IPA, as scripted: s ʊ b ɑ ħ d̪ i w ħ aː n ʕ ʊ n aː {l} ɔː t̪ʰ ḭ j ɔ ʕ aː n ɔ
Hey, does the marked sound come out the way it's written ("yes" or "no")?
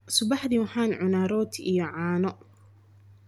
no